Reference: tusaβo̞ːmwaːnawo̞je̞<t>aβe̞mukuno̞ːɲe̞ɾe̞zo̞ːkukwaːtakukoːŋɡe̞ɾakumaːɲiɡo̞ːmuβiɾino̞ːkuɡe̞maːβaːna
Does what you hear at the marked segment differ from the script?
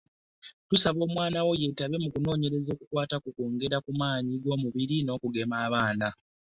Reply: no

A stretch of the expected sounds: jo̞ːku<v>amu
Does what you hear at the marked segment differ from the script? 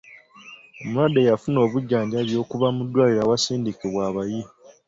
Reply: yes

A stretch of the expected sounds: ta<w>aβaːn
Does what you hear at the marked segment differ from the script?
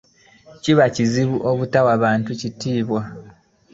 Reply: no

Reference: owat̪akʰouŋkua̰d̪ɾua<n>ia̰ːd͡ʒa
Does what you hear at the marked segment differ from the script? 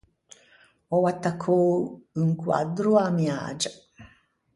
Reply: yes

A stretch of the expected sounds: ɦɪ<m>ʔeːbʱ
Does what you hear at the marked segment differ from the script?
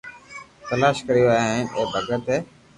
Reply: yes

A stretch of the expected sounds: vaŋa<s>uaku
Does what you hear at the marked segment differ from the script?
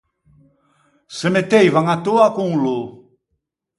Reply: yes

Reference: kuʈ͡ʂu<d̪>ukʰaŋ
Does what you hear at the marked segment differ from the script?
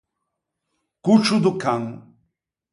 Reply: no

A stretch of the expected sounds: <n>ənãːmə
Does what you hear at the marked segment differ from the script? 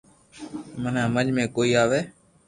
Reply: yes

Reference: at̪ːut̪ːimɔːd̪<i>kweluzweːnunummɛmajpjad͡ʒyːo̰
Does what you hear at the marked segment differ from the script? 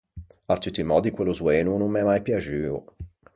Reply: no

